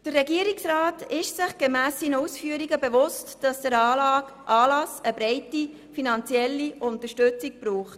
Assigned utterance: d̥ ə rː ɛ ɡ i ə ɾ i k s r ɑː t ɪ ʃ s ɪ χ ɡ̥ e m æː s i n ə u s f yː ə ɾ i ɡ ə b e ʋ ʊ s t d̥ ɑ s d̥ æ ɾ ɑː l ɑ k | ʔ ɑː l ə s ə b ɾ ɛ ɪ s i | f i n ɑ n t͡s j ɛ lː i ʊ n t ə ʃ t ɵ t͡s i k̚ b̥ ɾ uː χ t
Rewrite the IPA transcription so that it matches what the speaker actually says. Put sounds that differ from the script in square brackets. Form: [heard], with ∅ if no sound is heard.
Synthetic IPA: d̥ ə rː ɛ ɡ i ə ɾ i k s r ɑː t ɪ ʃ s ɪ χ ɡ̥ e m æː s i n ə u s f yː ə ɾ i ɡ ə b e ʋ ʊ s t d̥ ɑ s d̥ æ ɾ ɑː l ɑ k | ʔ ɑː l [ɑ] s ə b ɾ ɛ ɪ [t] i | f i n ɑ n t͡s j ɛ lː i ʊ n t ə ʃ t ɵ t͡s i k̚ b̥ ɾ uː χ t